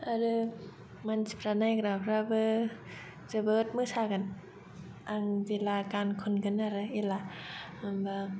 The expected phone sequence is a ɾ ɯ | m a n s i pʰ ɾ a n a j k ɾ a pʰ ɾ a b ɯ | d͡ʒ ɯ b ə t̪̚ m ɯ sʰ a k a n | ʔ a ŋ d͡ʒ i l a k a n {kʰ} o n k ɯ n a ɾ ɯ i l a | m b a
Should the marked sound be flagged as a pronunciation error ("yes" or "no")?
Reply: no